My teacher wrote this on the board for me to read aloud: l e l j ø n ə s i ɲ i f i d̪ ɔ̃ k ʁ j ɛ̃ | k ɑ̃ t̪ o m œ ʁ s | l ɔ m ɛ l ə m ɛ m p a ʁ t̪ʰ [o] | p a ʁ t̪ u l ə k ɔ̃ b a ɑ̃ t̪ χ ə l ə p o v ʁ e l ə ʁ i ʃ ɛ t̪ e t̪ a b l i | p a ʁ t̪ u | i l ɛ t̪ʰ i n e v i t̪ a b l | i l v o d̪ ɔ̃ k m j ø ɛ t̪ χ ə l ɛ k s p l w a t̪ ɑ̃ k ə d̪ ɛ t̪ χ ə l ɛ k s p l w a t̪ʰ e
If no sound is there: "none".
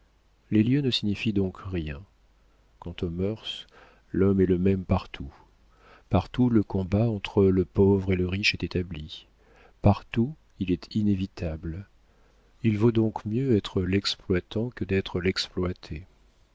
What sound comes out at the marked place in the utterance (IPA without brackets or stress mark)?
u